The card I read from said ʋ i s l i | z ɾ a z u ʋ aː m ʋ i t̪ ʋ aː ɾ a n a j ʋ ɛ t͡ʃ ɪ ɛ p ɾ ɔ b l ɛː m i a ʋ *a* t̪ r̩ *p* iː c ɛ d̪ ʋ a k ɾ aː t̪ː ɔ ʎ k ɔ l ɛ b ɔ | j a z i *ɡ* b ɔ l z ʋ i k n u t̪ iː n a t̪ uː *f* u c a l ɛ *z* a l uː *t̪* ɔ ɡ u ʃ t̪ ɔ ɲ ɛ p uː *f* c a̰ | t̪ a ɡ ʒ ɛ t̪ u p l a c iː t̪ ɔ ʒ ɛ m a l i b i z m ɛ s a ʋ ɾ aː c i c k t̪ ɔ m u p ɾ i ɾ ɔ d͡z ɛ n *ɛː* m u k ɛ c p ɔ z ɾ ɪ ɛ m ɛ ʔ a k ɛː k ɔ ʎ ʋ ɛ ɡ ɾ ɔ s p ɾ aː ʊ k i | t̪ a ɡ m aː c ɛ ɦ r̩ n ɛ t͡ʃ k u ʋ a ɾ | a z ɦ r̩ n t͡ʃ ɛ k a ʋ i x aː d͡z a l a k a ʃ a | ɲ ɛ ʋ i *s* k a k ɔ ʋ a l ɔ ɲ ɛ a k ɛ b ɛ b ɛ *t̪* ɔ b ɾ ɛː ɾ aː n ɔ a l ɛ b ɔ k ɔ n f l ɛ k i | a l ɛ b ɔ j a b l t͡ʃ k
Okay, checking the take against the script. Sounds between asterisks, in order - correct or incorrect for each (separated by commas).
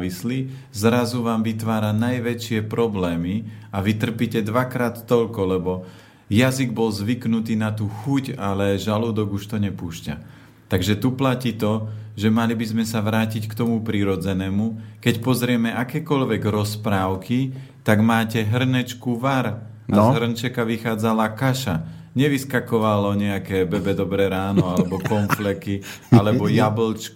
incorrect, correct, correct, incorrect, incorrect, incorrect, incorrect, correct, correct, incorrect